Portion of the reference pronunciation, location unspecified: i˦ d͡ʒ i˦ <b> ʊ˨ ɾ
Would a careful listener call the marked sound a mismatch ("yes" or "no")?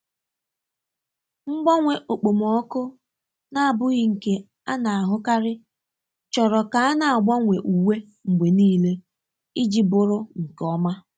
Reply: no